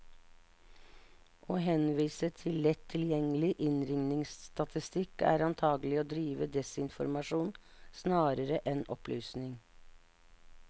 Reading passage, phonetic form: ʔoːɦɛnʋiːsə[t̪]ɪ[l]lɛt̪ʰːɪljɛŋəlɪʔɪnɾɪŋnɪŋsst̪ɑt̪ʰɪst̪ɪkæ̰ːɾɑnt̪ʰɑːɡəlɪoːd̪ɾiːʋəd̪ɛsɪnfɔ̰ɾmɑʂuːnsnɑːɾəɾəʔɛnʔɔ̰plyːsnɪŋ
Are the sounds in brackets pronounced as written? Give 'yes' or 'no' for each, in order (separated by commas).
no, yes